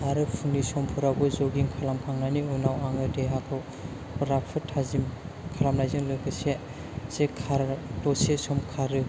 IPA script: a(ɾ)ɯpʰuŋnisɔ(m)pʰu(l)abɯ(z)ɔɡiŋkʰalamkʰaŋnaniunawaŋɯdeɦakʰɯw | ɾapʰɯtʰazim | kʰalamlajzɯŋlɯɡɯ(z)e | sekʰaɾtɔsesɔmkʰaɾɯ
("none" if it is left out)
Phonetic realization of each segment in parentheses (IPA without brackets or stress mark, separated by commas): ɾ, m, ɾ, z, s